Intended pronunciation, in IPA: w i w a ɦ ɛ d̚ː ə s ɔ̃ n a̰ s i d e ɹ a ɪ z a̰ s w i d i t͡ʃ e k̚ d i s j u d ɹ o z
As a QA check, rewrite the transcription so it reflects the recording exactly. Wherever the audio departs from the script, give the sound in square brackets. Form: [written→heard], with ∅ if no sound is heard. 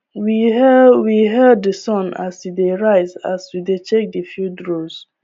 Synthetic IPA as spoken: w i w [a→i] ɦ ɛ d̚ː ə s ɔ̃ n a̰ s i d e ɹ a ɪ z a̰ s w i d [i→e] t͡ʃ e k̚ d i [s→f] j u d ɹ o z